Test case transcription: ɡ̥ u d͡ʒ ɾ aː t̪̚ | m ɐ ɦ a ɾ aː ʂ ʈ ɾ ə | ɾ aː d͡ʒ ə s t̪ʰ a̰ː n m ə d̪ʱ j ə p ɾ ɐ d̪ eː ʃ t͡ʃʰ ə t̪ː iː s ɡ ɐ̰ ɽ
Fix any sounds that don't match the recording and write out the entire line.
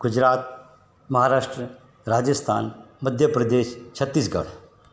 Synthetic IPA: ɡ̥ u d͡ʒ ɾ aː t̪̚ | m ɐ ɦ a ɾ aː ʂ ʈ ɾ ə | ɾ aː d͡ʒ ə s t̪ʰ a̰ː n m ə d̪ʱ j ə p ɾ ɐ d̪ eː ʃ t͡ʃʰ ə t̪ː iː s ɡ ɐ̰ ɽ